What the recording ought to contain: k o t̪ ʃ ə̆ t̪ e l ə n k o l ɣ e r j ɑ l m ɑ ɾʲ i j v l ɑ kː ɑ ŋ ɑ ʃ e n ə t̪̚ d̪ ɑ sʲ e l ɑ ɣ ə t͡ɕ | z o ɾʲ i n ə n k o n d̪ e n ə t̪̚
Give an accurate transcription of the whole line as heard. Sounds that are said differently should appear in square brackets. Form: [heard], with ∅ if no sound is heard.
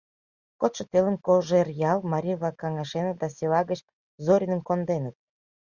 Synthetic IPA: k o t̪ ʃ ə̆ t̪ e l ə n k o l [ʒ] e r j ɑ l m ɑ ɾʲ i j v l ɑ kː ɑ ŋ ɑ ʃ e n ə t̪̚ d̪ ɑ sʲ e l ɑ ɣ ə t͡ɕ | z o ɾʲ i n ə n k o n d̪ e n ə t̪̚